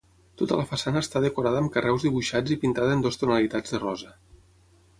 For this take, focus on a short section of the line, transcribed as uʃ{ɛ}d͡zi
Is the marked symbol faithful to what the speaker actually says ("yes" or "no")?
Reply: no